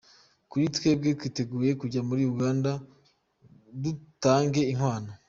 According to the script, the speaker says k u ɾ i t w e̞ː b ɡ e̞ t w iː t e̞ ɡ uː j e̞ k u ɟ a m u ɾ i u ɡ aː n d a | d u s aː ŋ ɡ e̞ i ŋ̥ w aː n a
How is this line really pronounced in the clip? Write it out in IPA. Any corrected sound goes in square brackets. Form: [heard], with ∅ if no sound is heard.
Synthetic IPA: k u ɾ i t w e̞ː b ɡ e̞ t w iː t e̞ ɡ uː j e̞ k u ɟ a m u ɾ i u ɡ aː n d a | d u [t] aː ŋ ɡ e̞ i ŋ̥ w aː n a